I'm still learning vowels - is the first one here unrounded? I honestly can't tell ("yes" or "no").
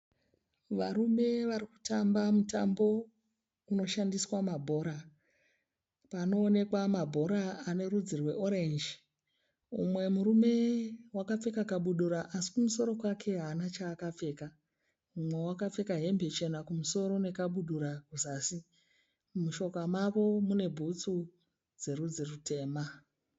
yes